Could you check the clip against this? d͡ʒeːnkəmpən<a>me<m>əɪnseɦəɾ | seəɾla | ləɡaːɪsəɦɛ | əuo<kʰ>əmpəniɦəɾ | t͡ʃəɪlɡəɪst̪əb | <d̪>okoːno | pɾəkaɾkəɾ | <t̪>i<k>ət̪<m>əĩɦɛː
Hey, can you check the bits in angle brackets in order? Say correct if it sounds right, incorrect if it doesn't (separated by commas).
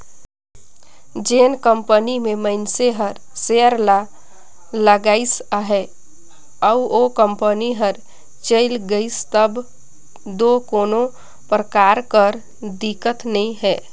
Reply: incorrect, correct, incorrect, correct, incorrect, correct, incorrect